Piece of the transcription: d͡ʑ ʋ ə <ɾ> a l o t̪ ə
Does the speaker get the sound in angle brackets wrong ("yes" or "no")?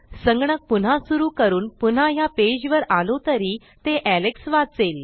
no